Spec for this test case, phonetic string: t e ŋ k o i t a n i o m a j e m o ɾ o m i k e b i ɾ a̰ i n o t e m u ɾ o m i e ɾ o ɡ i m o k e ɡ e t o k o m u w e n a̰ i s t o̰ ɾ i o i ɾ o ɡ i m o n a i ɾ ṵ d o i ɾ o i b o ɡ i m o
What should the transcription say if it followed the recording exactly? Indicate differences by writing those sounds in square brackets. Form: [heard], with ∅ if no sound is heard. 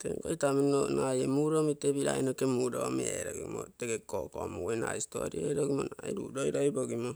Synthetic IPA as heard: t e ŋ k o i t a [m] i o [n] a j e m [u] ɾ o m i [t] e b i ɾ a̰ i n o [k] e m u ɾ o m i e ɾ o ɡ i m o [t] e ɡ e [k] o k o m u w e n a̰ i s t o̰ ɾ i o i ɾ o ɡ i m o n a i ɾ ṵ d o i ɾ o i b o ɡ i m o